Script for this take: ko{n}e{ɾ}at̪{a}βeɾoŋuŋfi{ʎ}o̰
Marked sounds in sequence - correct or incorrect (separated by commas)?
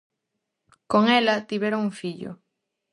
incorrect, incorrect, incorrect, correct